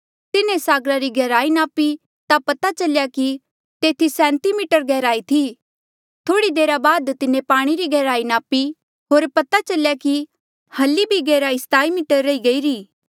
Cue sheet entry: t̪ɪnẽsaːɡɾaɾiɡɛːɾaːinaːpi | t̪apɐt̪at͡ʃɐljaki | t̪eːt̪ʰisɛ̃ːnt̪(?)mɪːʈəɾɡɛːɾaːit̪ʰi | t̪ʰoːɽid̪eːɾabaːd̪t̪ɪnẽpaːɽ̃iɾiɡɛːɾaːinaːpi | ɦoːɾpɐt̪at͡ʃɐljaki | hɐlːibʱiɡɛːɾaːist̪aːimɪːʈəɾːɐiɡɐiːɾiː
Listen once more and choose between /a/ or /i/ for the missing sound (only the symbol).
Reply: i